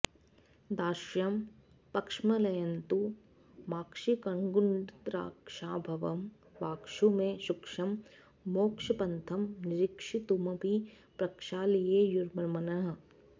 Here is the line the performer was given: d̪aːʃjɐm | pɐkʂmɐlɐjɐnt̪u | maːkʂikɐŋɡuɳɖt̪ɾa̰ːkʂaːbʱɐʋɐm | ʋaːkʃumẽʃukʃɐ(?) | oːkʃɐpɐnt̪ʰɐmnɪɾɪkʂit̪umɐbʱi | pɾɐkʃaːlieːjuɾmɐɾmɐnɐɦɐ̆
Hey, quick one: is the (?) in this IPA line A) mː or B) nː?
A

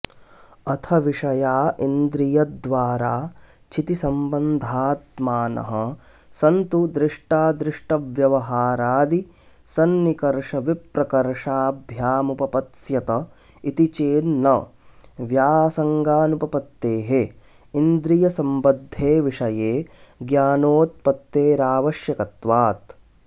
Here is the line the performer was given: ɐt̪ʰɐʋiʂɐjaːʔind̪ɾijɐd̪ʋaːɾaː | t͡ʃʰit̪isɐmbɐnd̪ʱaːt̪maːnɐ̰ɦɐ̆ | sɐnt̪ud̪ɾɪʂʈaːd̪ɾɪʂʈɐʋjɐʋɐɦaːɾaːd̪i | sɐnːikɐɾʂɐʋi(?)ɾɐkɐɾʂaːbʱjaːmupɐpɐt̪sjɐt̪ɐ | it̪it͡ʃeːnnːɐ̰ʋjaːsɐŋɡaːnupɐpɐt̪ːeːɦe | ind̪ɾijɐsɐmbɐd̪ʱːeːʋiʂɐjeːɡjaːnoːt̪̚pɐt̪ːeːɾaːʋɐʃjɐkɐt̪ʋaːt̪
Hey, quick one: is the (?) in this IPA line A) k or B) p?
B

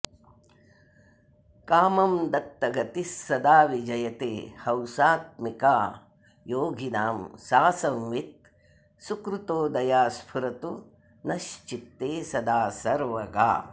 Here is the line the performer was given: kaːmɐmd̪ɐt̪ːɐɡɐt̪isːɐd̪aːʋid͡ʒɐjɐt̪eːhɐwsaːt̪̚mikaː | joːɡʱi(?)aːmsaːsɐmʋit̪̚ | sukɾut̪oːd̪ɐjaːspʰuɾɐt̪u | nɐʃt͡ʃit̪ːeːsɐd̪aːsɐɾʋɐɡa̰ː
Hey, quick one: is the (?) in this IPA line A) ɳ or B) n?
B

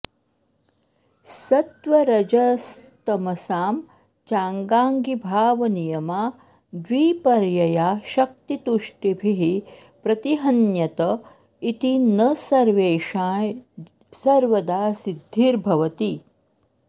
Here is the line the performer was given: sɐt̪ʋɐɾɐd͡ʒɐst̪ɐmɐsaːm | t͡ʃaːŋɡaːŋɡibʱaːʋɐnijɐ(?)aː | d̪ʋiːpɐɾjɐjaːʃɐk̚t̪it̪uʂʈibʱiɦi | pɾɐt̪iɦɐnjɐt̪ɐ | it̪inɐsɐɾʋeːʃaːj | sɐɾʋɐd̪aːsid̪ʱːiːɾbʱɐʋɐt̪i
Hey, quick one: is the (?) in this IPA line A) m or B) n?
A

